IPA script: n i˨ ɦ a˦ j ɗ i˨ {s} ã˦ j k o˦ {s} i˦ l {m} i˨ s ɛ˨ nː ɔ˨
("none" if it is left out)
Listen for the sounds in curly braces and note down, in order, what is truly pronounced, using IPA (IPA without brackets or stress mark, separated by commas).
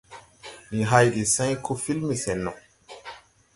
s, f, m